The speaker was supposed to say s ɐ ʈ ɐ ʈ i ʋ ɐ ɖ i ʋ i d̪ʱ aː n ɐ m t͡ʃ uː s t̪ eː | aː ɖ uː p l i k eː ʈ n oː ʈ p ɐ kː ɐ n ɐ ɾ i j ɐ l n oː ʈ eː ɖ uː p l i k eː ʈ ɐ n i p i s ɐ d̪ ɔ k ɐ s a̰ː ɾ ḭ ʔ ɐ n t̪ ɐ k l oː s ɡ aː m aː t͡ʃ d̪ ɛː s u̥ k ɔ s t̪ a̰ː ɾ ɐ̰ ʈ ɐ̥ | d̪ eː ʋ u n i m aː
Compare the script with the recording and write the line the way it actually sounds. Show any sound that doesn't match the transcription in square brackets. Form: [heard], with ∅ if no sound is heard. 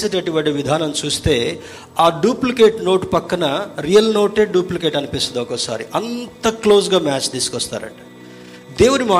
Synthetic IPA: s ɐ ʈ ɐ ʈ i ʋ ɐ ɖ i ʋ i d̪ʱ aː n ɐ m t͡ʃ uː s t̪ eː | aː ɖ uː p l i k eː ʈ n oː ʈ p ɐ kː ɐ n ɐ ɾ i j ɐ l n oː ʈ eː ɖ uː p l i k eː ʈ ɐ n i p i s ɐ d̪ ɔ k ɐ s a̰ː ɾ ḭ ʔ ɐ n t̪ ɐ k l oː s ɡ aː m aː t͡ʃ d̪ [iː] s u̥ k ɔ s t̪ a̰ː ɾ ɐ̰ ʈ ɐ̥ | d̪ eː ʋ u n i m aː